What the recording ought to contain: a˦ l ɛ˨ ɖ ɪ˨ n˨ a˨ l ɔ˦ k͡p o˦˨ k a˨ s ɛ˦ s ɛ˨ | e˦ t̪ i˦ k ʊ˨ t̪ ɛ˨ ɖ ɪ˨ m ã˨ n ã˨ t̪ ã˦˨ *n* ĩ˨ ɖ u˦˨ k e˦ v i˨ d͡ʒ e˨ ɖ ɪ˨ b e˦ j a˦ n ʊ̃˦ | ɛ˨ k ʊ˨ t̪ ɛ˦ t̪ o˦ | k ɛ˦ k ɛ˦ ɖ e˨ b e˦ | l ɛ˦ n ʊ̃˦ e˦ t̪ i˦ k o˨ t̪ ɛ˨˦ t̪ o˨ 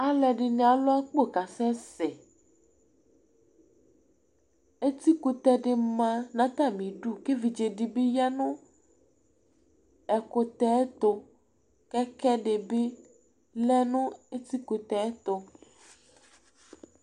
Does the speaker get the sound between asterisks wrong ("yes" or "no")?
yes